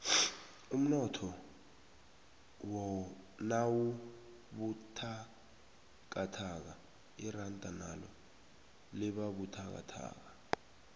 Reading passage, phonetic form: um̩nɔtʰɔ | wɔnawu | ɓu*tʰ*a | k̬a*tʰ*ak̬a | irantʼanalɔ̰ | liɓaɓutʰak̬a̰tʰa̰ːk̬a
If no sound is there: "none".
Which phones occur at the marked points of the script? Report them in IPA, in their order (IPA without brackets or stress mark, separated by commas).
tʰ, tʰ